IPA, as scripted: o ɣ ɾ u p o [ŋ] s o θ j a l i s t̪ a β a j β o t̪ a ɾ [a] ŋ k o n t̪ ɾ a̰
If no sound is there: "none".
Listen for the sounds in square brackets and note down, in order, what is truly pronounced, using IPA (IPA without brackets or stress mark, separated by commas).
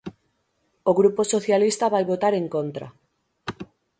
none, e